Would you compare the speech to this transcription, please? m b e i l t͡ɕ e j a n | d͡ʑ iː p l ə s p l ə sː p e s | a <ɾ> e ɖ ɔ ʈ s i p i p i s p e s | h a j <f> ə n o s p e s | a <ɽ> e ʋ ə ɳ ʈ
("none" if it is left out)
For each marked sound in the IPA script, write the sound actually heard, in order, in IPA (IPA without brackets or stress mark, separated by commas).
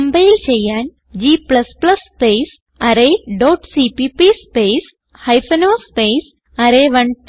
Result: ɾ, f, ɾ